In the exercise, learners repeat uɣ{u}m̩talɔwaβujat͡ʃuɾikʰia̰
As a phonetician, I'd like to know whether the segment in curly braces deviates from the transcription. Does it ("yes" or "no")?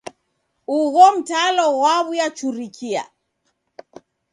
yes